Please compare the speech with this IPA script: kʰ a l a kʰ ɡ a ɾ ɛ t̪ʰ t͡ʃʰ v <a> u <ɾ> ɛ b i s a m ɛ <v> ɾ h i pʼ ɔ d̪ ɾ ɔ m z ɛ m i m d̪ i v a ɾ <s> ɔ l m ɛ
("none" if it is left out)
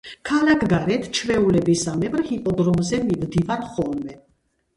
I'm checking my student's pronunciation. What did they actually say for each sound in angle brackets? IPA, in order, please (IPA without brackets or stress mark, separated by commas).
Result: ɛ, l, b, χ